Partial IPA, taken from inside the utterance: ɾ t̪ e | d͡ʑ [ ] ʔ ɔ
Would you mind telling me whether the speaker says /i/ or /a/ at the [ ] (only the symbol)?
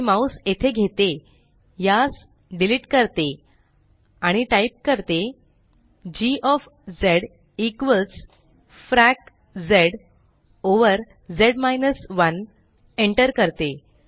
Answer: i